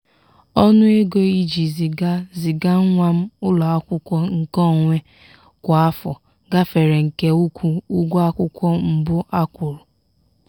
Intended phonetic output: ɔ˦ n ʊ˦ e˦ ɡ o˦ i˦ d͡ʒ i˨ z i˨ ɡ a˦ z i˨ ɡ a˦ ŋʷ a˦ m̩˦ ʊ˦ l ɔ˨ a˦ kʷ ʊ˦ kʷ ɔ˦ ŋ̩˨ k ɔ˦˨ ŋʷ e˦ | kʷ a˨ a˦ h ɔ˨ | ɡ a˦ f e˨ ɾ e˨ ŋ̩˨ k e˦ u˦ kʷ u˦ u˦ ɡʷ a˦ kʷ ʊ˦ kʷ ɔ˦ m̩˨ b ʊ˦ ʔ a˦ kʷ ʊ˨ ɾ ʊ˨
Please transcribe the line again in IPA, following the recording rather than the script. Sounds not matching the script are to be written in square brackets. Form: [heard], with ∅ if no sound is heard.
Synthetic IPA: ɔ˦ n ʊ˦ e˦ ɡ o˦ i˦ d͡ʒ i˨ z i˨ ɡ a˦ z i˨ ɡ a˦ ŋʷ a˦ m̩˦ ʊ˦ l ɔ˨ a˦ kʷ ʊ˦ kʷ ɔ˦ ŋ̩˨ k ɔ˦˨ ŋʷ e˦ | kʷ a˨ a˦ [f] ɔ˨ | ɡ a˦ f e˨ ɾ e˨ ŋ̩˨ k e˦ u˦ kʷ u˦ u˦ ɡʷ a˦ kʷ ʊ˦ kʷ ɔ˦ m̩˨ b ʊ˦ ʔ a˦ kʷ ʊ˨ ɾ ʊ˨